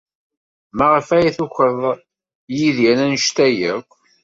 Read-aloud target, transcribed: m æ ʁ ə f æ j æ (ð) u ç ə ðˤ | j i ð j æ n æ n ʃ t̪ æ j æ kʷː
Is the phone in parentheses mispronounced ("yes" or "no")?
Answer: yes